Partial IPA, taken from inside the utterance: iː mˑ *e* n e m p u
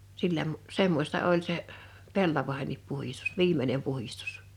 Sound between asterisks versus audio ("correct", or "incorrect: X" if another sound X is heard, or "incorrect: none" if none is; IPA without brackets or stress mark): correct